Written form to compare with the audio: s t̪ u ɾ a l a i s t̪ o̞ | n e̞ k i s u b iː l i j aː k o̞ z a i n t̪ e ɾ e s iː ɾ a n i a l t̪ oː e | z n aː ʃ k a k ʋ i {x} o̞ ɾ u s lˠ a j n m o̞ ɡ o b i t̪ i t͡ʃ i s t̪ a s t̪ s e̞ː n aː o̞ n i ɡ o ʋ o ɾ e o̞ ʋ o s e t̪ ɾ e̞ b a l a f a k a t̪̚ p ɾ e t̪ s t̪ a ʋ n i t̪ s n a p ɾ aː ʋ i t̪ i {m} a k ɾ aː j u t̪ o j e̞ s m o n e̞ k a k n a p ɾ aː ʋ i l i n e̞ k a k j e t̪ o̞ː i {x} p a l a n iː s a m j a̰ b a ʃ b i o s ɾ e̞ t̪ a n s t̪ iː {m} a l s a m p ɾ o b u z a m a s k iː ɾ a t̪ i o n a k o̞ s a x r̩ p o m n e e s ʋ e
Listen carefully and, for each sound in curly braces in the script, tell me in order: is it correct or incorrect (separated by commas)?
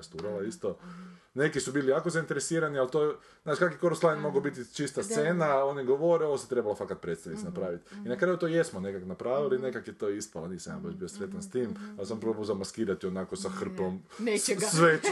incorrect, incorrect, incorrect, correct